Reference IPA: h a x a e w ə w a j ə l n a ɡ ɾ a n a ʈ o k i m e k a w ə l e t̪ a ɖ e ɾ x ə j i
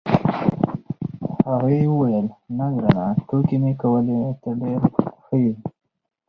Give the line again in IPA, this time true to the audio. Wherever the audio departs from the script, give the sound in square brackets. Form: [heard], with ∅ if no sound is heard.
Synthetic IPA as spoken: h a [ɣ] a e w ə w a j ə l n a ɡ ɾ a n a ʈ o k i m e k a w ə l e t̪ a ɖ e ɾ x ə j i